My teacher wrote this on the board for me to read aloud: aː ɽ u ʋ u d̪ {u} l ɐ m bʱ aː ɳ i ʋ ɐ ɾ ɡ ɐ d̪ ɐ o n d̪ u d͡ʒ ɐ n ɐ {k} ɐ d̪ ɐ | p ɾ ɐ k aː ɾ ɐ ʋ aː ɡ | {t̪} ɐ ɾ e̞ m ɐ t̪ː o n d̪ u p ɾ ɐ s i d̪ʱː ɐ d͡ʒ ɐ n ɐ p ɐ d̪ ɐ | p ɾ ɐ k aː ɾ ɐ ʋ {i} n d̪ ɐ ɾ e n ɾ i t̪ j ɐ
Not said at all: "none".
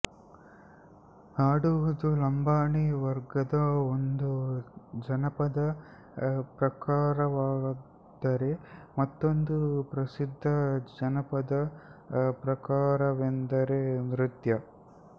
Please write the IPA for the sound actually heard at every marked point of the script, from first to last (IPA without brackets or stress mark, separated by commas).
u, p, d̪, e